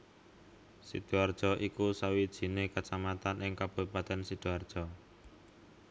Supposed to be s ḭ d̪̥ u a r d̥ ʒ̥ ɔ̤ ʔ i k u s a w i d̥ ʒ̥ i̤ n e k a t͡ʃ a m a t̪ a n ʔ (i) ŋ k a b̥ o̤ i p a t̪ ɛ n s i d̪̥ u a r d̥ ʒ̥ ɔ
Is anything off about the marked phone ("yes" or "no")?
yes